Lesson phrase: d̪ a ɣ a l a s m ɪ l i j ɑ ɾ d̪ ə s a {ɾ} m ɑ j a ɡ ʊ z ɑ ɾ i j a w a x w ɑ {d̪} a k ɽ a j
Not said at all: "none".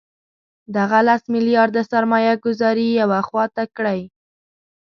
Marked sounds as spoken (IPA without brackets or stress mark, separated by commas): ɾ, t̪